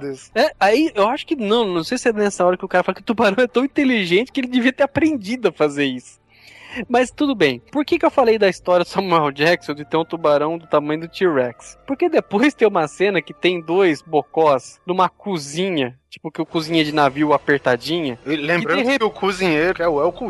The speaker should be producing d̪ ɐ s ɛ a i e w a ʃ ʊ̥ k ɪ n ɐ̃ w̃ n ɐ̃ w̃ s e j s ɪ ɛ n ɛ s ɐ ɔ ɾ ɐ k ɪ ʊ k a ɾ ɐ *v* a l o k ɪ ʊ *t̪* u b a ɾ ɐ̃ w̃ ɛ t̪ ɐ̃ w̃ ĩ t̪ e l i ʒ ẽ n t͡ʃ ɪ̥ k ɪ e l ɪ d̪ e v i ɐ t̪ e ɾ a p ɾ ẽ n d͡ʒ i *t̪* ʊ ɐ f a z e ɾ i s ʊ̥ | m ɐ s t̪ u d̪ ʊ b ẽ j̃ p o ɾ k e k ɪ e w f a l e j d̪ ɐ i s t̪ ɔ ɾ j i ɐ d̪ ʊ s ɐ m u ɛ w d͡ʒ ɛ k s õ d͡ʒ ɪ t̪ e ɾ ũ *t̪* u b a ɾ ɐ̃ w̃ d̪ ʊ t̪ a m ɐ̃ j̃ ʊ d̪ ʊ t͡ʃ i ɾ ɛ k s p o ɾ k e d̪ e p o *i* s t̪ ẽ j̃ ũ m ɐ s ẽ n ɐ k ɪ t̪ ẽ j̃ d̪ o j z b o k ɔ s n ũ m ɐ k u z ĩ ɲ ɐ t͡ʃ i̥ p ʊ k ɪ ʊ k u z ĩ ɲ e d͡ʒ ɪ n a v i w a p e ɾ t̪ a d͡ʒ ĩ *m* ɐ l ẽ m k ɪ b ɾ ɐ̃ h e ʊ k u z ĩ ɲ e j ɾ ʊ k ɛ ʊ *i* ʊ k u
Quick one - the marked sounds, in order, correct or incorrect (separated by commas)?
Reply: incorrect, correct, incorrect, correct, incorrect, incorrect, incorrect